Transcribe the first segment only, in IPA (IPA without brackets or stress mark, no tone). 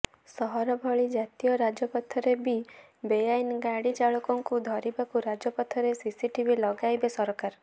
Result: s